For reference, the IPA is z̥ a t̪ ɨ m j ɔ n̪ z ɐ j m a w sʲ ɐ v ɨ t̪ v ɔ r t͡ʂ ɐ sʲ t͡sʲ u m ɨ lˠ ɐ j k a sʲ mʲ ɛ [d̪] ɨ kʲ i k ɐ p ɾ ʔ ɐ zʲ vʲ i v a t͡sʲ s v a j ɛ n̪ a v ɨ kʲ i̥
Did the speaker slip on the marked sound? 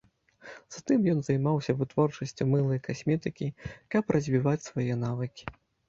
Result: yes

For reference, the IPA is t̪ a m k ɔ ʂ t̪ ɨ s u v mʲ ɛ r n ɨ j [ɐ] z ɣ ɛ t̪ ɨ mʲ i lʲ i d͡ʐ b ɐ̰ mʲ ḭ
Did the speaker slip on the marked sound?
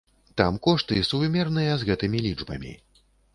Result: no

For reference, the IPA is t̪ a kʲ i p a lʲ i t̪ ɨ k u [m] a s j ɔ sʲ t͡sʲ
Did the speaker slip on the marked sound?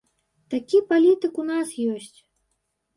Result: yes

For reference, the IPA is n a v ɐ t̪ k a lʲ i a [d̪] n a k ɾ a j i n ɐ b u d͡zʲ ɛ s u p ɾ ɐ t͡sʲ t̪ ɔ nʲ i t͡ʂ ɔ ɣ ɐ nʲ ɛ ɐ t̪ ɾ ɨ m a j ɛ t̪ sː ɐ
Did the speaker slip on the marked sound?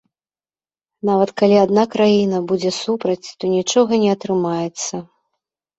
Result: no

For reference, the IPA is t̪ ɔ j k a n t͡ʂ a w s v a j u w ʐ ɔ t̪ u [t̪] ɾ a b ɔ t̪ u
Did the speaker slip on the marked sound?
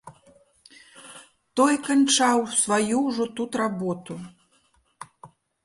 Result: no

